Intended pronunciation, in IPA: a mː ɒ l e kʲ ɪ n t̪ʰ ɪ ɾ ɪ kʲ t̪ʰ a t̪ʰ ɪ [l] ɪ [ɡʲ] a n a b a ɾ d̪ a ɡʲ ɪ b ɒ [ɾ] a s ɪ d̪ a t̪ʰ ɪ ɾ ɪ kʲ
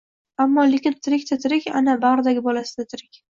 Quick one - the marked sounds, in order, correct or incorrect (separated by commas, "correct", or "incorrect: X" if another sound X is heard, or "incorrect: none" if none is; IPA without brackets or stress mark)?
incorrect: ɾ, incorrect: kʲ, incorrect: l